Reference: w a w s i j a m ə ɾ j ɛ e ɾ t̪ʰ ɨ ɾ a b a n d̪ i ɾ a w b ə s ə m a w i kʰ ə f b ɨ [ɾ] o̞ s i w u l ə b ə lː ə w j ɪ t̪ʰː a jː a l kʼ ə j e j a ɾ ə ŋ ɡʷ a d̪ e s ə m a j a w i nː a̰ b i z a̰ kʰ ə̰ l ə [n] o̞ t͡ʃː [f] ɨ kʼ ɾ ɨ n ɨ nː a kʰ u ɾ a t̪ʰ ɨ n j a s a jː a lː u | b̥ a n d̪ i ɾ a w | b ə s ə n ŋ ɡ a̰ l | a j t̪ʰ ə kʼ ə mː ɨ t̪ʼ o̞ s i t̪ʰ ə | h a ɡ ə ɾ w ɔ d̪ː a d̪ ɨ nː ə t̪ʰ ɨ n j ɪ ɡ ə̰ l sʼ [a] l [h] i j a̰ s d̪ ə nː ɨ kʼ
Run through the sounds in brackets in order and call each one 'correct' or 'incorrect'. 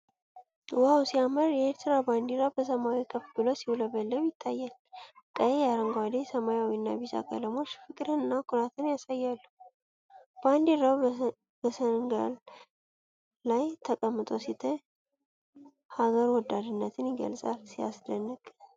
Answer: incorrect: l, incorrect: m, correct, correct, incorrect: s

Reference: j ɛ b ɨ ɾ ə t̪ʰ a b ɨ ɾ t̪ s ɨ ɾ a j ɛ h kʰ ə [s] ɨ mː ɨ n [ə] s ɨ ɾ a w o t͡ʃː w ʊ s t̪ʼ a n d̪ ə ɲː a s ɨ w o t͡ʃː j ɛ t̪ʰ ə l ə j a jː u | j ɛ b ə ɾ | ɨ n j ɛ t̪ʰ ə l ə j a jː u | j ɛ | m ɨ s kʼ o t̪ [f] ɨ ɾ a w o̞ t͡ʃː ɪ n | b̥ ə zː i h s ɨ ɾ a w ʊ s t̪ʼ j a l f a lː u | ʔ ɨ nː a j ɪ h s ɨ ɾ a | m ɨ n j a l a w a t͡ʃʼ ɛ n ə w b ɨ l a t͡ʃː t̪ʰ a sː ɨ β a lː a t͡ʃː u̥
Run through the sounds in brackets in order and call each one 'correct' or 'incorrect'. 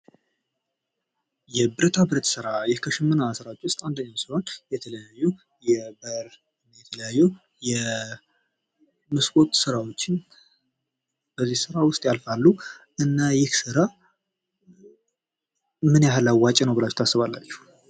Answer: incorrect: ʃ, incorrect: a, incorrect: s

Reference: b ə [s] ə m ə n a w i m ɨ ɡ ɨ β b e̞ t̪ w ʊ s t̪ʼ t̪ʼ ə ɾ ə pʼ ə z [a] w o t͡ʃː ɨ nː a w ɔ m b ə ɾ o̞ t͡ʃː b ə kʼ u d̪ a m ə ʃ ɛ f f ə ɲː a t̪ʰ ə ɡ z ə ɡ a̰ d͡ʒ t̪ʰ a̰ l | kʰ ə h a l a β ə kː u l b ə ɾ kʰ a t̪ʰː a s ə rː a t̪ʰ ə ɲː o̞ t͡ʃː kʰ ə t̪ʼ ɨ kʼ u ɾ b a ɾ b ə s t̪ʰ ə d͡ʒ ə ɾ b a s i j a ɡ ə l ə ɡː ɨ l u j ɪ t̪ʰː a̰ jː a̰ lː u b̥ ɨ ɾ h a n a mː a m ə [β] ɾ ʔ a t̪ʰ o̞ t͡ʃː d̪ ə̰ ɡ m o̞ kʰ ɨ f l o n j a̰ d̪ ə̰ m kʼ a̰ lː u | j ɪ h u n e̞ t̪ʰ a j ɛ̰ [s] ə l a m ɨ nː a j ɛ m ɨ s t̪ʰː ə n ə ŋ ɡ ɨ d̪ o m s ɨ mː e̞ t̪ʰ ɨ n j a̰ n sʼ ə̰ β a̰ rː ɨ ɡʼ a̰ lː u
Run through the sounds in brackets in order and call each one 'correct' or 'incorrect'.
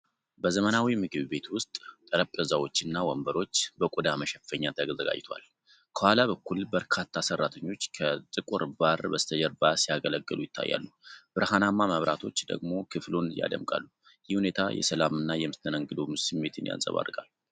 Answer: incorrect: z, correct, correct, correct

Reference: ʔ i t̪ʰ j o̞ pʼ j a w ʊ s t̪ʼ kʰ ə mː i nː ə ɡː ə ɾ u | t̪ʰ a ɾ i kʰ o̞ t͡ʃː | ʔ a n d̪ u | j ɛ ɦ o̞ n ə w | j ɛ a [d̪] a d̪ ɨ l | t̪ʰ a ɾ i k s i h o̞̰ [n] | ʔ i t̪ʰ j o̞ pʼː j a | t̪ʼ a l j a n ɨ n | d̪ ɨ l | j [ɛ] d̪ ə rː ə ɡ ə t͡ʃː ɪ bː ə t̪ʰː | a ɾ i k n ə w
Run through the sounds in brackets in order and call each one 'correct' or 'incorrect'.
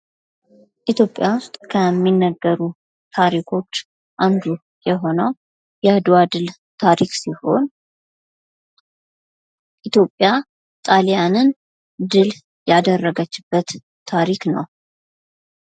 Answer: correct, correct, incorrect: a

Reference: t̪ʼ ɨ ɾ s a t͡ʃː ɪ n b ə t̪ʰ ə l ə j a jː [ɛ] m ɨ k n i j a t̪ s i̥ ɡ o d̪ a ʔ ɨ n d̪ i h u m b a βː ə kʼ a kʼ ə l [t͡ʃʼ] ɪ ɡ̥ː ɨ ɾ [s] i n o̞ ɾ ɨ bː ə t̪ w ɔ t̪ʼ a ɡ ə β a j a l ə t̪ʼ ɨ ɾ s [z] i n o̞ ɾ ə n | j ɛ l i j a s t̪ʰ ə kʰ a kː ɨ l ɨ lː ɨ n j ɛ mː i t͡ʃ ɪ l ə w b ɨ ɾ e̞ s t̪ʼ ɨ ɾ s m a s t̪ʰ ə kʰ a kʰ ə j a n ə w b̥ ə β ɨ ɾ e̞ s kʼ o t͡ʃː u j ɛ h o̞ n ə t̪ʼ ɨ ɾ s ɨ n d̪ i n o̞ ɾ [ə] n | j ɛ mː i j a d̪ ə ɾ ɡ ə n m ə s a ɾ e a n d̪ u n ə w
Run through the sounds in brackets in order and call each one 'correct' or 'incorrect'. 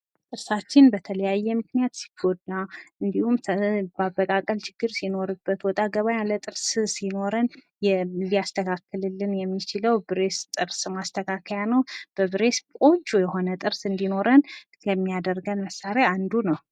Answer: correct, incorrect: t͡ʃ, correct, incorrect: s, correct

